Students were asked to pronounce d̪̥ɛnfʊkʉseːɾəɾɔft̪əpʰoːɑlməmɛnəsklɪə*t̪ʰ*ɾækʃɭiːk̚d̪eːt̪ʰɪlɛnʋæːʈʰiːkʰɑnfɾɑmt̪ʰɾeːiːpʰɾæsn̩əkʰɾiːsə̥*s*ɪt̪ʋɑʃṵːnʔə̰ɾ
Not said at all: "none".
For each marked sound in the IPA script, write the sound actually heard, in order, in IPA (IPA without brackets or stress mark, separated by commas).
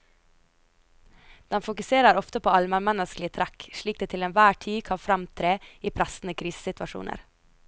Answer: t̪ʰ, s